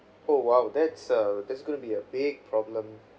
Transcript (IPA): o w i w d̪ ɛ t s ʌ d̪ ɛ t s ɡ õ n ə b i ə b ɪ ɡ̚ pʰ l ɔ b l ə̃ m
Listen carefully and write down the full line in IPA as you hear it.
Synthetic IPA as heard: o w a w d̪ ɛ t s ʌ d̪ ɛ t s ɡ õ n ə b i ə b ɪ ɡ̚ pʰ ɹ ɔ b l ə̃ m